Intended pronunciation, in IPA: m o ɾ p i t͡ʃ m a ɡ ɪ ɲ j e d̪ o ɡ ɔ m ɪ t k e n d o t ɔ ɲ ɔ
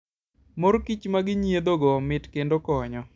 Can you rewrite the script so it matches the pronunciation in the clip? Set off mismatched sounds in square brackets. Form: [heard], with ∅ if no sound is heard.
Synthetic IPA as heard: m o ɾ [k] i t͡ʃ m a ɡ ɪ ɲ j e d̪ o ɡ ɔ m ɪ t k e n d o [k] ɔ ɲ ɔ